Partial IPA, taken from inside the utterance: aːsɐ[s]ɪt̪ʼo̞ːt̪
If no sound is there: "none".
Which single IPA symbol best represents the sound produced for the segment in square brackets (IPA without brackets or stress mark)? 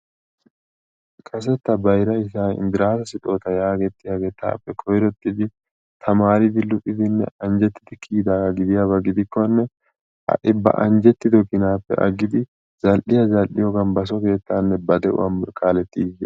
s